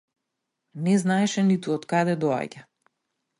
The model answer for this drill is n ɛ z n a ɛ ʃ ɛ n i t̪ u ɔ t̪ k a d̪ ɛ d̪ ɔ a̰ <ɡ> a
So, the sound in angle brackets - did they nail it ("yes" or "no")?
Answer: no